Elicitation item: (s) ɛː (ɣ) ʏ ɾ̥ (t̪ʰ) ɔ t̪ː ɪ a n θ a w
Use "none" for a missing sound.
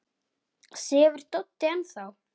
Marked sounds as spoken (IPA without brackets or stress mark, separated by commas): s, v, t̪